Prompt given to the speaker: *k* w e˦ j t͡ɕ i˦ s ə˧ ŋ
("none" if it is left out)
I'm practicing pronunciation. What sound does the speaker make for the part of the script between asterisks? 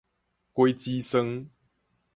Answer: k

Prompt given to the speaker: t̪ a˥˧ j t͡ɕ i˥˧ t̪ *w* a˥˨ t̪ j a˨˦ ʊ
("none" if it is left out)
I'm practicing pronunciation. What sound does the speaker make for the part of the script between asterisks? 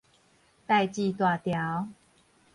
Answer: w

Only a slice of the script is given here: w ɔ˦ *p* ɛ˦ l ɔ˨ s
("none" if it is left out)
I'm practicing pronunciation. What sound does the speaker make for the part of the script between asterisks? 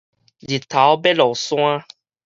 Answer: b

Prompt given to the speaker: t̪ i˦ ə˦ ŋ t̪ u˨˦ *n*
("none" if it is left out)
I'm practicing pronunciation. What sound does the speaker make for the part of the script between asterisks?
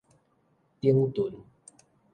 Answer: n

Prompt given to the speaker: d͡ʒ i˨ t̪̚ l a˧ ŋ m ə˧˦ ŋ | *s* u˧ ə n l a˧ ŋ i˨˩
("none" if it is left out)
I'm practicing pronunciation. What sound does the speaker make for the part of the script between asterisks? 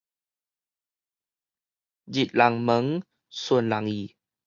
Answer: s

